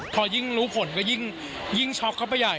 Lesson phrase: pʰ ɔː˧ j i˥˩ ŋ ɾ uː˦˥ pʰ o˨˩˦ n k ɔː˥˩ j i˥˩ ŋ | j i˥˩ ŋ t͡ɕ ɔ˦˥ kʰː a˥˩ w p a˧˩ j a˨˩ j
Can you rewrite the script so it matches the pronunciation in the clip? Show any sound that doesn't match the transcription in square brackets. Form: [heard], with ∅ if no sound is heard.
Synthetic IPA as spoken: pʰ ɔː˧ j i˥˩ ŋ ɾ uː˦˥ pʰ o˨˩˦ n k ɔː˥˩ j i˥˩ ŋ | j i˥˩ ŋ [t͡ɕʰ] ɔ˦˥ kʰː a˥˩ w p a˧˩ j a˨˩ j